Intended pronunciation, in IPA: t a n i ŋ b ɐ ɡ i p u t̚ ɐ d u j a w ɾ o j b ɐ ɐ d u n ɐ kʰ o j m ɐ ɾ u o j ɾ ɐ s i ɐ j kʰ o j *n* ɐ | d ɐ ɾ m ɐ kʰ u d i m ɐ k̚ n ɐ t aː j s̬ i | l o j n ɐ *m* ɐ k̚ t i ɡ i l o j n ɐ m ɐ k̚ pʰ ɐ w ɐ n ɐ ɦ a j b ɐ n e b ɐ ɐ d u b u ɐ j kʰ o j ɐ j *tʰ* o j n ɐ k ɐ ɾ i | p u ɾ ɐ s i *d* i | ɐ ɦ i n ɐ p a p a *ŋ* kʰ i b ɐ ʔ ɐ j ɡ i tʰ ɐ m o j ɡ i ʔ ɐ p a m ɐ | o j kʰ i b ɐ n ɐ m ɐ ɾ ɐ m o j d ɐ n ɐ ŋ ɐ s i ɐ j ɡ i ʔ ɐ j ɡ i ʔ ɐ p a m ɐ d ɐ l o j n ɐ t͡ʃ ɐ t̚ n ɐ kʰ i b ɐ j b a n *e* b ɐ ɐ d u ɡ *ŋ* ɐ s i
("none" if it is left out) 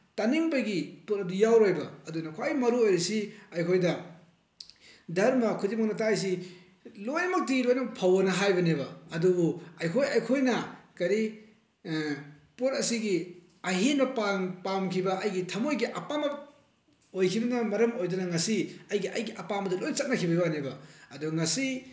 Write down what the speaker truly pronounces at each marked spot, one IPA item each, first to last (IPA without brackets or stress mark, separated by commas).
d, m, kʰ, ɡ, m, e, ŋ